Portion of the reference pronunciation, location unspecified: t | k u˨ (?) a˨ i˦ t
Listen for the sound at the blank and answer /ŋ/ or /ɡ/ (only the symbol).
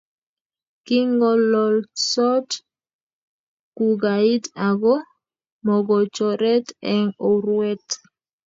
ɡ